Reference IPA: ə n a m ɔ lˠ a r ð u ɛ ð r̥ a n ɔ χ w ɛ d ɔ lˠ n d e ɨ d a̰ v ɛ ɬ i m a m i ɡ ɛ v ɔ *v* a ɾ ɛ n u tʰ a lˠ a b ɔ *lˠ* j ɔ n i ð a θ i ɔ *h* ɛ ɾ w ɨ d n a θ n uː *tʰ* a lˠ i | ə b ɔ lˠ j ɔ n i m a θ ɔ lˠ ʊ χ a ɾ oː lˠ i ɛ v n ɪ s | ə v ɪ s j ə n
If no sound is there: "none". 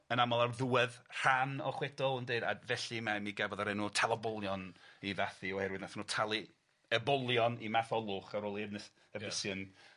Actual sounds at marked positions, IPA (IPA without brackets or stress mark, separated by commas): ð, lˠ, h, tʰ